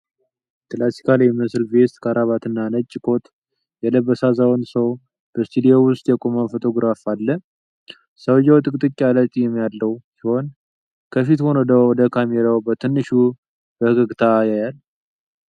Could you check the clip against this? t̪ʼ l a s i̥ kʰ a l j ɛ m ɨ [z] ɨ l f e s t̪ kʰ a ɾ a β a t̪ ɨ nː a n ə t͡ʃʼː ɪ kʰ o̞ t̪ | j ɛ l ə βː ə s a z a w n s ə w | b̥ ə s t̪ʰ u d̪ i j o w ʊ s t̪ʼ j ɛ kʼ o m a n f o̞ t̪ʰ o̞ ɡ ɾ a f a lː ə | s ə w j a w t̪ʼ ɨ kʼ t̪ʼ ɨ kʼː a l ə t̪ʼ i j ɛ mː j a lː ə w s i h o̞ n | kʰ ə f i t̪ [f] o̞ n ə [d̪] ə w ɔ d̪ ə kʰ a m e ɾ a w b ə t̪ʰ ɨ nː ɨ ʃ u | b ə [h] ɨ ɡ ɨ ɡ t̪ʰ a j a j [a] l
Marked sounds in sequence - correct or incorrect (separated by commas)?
incorrect, incorrect, correct, correct, correct